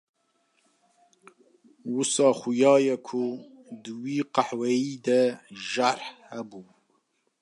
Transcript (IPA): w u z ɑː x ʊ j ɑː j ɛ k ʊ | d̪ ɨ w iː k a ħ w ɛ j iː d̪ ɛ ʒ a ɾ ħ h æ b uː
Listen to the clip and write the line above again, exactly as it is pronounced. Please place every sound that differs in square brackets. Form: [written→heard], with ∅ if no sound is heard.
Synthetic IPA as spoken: w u [z→s] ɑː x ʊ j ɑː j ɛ [k→kʰ] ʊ | d̪ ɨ w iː [k→q] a ħ w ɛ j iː d̪ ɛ ʒ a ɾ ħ h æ b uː